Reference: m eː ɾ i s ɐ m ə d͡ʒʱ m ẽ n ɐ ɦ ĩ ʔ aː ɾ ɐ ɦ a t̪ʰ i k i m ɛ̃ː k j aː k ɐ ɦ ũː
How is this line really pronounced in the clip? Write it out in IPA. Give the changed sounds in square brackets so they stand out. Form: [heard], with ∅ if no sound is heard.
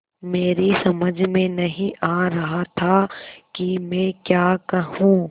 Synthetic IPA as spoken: m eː ɾ i s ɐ m ə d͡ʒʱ m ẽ n ɐ ɦ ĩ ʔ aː ɾ ɐ ɦ a t̪ʰ [a] k i m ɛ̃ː k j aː k ɐ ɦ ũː